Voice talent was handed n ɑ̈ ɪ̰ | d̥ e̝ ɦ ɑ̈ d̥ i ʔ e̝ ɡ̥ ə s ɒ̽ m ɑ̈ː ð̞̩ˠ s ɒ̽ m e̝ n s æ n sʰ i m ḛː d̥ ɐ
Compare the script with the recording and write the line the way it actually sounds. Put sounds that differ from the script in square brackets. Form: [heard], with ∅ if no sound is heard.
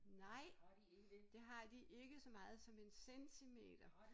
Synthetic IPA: n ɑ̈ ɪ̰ | d̥ e̝ ɦ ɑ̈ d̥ i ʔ e̝ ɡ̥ ə s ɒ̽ m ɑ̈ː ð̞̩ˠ s ɒ̽ m e̝ n s [e] n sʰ i m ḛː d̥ ɐ